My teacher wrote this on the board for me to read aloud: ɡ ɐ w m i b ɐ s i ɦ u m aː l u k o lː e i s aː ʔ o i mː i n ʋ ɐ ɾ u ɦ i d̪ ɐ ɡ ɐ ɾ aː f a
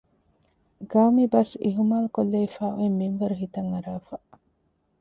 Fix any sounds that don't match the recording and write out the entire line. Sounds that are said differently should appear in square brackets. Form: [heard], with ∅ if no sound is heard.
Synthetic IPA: ɡ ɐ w m i b ɐ s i ɦ u m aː l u k o lː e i [f] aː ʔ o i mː i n ʋ ɐ ɾ u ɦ i [t̪] ɐ [ŋ] ɐ ɾ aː f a